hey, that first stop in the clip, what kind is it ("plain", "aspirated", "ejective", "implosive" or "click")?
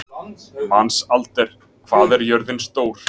plain